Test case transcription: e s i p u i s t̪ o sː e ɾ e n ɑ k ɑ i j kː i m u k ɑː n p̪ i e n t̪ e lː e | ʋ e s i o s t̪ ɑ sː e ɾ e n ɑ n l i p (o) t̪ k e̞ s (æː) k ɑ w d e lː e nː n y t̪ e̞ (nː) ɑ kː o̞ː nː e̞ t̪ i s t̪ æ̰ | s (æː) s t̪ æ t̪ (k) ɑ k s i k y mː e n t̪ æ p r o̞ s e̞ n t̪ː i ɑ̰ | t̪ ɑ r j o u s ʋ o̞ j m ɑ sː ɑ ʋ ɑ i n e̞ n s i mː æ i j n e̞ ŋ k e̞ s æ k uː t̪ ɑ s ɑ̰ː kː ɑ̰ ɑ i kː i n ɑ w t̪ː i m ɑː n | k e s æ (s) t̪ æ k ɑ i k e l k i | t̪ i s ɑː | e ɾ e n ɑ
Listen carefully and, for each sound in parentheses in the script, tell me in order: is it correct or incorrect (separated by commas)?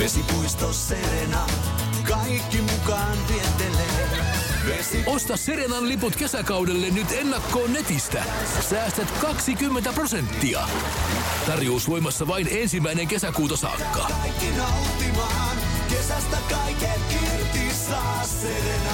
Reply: incorrect, incorrect, correct, correct, correct, correct